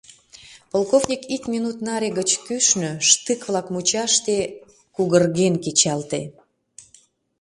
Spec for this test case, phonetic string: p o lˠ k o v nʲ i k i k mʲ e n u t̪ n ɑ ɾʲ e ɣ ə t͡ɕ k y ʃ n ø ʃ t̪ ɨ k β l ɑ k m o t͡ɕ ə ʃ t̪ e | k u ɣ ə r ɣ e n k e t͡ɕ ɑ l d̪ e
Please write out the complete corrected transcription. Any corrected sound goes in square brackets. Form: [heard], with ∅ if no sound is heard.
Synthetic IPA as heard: p o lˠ k o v nʲ i k i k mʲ [i] n u t̪ n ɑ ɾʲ e ɣ ə t͡ɕ k y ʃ n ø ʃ t̪ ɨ k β l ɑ k m [u] t͡ɕ [ɑ] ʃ t̪ e | k u ɣ ə r ɣ e n k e t͡ɕ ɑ l [t̪] e